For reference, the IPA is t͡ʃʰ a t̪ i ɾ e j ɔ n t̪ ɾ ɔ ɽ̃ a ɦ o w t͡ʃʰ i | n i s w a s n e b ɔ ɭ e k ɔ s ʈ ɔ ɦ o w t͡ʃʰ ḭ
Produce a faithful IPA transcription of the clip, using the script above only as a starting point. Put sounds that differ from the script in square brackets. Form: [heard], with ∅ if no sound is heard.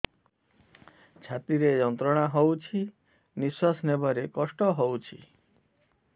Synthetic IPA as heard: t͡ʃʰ a t̪ i ɾ e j ɔ n t̪ ɾ ɔ ɽ̃ a ɦ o w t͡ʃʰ i | n i s w a s n e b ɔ [ɾ] e k ɔ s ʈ ɔ ɦ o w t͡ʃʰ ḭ